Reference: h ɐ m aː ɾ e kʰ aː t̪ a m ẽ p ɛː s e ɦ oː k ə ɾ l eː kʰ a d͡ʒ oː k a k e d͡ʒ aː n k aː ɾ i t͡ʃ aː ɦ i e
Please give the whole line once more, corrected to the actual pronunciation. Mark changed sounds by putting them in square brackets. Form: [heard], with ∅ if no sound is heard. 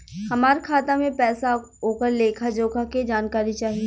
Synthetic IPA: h ɐ m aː ɾ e kʰ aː t̪ a m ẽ p ɛː s [a] ɦ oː k ə ɾ l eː kʰ a d͡ʒ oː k a k e d͡ʒ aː n k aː ɾ i t͡ʃ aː ɦ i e